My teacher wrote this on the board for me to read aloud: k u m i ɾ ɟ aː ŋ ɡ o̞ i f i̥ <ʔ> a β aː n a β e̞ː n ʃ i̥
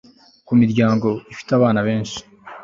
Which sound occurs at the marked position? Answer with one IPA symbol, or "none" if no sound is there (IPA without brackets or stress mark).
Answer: t